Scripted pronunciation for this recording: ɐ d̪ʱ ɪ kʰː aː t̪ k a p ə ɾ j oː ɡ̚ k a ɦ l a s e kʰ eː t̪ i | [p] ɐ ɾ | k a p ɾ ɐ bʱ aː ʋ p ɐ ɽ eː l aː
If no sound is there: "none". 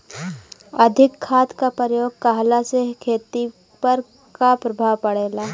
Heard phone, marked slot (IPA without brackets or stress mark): p